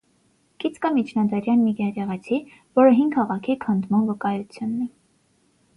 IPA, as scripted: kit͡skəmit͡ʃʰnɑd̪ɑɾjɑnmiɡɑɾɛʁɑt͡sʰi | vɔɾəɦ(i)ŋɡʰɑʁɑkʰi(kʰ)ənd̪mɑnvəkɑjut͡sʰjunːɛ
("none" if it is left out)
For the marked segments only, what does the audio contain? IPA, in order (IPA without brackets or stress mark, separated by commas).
i, kʰ